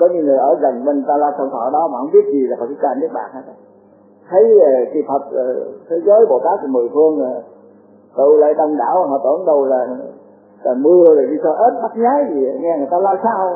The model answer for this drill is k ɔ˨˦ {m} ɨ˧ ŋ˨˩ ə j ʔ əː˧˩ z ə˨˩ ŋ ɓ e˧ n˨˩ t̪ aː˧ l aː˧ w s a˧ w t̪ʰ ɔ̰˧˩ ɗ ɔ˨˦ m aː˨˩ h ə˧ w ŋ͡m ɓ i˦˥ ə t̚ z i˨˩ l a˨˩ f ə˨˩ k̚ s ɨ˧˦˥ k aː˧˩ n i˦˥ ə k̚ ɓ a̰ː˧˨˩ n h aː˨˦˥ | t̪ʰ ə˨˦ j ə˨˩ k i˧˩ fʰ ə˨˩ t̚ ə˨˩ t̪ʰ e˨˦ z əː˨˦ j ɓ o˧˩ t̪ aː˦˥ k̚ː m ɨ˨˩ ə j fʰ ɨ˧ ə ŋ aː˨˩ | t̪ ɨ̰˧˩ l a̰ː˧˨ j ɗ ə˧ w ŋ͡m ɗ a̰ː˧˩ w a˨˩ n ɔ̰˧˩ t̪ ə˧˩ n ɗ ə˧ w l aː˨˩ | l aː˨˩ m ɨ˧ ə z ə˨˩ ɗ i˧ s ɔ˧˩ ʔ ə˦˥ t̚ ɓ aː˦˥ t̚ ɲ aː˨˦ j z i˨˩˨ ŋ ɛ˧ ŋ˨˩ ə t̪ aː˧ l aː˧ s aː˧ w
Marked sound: incorrect: ɲ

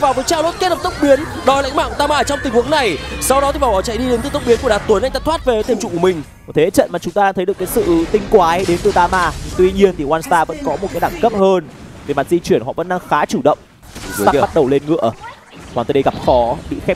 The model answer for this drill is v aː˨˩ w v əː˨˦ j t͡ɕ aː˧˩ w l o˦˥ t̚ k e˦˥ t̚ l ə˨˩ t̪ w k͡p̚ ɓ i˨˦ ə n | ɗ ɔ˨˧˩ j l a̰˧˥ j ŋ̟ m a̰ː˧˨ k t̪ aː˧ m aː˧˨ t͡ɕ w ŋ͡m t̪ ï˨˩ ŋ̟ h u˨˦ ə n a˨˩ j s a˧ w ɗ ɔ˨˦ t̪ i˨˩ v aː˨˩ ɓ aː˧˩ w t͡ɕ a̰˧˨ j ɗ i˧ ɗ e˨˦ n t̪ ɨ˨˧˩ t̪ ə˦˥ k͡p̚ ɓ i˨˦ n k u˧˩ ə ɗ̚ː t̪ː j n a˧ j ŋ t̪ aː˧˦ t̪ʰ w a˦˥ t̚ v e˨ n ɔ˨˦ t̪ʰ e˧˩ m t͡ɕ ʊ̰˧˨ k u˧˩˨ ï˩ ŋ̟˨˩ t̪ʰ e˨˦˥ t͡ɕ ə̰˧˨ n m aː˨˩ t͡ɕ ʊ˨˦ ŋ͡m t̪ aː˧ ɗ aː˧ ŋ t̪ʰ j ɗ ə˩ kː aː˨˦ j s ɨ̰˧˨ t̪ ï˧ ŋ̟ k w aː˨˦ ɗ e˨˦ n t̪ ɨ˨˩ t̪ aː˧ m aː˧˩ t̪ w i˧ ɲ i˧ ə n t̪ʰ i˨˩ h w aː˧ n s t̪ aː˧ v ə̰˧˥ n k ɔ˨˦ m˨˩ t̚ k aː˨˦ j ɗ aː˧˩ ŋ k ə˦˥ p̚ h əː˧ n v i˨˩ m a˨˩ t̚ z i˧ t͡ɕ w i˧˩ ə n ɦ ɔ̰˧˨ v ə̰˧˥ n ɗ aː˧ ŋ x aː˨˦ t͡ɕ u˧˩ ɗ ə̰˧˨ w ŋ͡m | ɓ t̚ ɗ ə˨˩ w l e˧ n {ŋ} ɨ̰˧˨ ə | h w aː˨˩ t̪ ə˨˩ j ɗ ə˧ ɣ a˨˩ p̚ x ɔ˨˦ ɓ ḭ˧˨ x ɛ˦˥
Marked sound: correct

